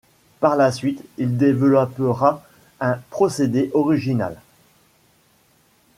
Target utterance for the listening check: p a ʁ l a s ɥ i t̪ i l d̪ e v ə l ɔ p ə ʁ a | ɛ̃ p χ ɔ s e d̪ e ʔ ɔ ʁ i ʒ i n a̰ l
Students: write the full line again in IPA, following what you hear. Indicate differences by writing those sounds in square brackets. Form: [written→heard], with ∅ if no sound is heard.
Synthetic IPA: p a ʁ l a s ɥ i t̪ i l d̪ e v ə l ɔ p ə ʁ a | ɛ̃ p χ ɔ s e d̪ e ʔ ɔ ʁ i ʒ i n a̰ l

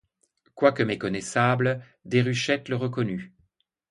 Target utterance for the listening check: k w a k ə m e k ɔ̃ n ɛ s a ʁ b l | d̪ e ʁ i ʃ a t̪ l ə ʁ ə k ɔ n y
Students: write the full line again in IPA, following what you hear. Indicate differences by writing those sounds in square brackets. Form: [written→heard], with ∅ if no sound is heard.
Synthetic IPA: k w a k ə m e k [ɔ̃→ɔ] n ɛ s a [ʁ→∅] b l | d̪ e ʁ [i→y] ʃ [a→ɛ] t̪ l ə ʁ ə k ɔ n y

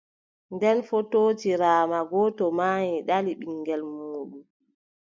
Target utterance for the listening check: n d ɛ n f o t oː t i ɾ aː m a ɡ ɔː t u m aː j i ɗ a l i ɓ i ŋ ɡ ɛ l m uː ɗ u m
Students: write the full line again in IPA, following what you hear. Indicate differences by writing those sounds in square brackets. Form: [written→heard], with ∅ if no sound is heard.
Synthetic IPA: n d ɛ n f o t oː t i ɾ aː m a ɡ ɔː t [u→ɔ] m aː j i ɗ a l i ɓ i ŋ ɡ ɛ l m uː ɗ u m

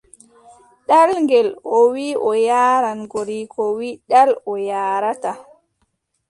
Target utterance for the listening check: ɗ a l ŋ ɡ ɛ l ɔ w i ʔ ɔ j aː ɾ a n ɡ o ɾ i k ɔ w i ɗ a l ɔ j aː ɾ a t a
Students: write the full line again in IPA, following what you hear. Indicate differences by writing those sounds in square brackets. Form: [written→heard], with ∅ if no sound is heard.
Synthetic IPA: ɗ a l ŋ ɡ ɛ l ɔ w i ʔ ɔ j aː ɾ a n ɡ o ɾ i k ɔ w i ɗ a l ɔ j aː ɾ a t a

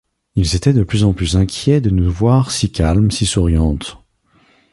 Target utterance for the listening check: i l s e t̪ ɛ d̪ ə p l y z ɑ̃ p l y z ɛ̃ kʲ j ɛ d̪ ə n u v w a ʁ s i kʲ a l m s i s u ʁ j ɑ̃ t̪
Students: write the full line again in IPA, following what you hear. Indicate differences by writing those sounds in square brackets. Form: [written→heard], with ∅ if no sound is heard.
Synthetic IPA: i l [s→z] e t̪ ɛ d̪ ə p l y z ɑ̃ p l y z ɛ̃ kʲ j ɛ d̪ ə n u v w a ʁ s i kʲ a l m s i s u ʁ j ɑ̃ t̪

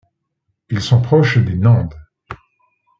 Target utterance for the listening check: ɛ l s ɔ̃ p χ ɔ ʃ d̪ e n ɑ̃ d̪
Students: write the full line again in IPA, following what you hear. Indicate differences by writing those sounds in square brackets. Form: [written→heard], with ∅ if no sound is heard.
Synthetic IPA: [ɛ→i] l s ɔ̃ p χ ɔ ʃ d̪ e n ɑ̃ d̪

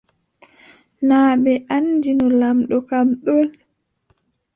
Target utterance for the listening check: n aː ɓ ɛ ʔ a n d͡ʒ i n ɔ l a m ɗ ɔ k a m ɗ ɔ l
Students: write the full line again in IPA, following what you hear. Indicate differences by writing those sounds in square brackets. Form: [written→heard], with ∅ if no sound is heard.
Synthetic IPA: n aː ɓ ɛ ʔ a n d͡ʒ i n ɔ l a m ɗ ɔ k a m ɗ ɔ l

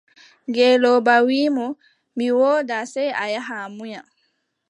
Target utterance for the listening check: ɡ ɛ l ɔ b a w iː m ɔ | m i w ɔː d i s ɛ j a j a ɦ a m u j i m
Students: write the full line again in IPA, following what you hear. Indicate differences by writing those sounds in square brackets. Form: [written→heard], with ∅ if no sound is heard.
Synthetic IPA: ɡ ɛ l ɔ b a w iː m ɔ | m i w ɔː d [i→a] s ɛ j a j a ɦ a m u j [i→a] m

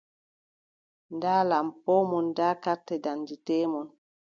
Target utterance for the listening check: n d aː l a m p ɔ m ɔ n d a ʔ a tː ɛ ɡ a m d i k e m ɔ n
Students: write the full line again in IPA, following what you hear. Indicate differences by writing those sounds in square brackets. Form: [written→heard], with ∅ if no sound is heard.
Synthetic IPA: n d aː l a m p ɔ m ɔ n d a [ʔ→k] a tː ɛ [ɡ→d] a [m→n] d i [k→t] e m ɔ n

